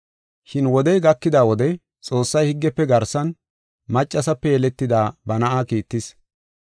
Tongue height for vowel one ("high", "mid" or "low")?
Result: high